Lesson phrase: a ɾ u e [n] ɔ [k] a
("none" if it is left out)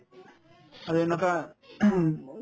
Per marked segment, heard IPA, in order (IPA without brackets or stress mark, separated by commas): n, k